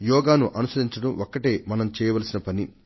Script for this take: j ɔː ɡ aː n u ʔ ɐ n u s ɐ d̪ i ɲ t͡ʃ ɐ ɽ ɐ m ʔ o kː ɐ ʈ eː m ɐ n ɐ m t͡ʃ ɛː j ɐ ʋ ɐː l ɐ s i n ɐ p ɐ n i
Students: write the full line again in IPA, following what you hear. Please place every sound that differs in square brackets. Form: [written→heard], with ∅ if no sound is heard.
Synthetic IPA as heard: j ɔː ɡ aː n u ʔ ɐ n u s ɐ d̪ i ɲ t͡ʃ ɐ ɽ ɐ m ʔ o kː ɐ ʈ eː m ɐ n ɐ m t͡ʃ ɛː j ɐ ʋ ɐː l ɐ s i n ɐ p ɐ n i

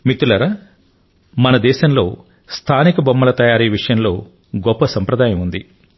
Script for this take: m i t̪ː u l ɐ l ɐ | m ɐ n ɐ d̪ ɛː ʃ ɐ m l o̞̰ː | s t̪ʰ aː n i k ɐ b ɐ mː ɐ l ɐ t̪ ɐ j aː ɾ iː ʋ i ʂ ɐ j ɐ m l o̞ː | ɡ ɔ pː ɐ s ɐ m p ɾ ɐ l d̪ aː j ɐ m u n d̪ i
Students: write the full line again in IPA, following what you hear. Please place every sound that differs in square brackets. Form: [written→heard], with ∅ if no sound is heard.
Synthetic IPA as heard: m i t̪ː u l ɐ [l→ɾ] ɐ | m ɐ n ɐ d̪ ɛː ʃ ɐ m l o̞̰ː | s t̪ʰ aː n i k ɐ b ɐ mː ɐ l ɐ t̪ ɐ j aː ɾ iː ʋ i ʂ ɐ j ɐ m l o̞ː | ɡ ɔ pː ɐ s ɐ m p ɾ ɐ [l→∅] d̪ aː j ɐ m u n d̪ i

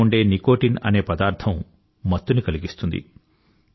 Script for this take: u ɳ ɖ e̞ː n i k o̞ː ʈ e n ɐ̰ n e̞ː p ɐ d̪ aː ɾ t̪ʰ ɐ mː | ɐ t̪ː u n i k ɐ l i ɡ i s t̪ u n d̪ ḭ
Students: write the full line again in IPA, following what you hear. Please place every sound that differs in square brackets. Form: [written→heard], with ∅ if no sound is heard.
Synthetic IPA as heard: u ɳ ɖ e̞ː n i k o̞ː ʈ [e→i] n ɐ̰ n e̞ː p ɐ d̪ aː ɾ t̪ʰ ɐ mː | ɐ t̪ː u n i k ɐ l i ɡ i s t̪ u n d̪ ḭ

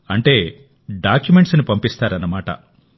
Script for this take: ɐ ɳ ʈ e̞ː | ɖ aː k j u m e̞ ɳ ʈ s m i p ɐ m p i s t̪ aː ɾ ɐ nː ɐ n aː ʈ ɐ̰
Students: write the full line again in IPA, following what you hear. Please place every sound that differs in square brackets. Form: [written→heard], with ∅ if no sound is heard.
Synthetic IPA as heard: ɐ ɳ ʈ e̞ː | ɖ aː k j u m e̞ ɳ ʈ s [m→n] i p ɐ m p i s t̪ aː ɾ ɐ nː ɐ [n→m] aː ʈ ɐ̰

